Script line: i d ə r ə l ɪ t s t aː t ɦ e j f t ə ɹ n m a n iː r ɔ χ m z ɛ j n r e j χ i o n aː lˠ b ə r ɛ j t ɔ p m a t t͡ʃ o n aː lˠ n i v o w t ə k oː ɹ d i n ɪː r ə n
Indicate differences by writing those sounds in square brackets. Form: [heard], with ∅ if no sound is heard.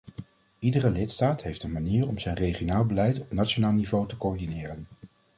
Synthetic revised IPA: i d ə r ə l ɪ t s t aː t ɦ e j f t ə [∅] n m a n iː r ɔ [∅] m z ɛ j n r e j χ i o n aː lˠ b ə [l] ɛ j t ɔ p [n] a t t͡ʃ o n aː lˠ n i v o w t ə k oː ɹ d i n ɪː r ə n

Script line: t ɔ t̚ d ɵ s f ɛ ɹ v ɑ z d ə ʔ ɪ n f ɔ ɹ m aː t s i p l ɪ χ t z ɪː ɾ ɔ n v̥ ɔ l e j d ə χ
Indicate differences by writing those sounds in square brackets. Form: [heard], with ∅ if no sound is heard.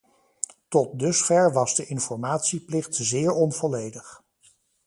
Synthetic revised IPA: t ɔ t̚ d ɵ s f ɛ ɹ [ʋ] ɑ z d ə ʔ ɪ n f ɔ ɹ m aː t s i p l ɪ χ t z ɪː [ɹ] ɔ n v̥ ɔ l e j d ə χ

